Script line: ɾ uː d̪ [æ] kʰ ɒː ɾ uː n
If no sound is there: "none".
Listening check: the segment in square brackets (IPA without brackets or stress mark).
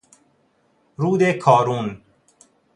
e